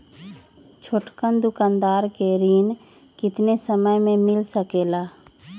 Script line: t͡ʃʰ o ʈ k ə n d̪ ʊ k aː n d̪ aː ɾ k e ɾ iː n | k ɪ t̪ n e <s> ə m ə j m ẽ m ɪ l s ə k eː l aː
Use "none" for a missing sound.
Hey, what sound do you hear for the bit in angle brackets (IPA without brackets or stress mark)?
s